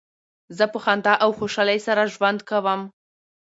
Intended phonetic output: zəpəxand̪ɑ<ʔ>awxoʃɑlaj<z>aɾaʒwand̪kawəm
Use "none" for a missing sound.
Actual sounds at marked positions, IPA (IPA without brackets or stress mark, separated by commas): ʔ, s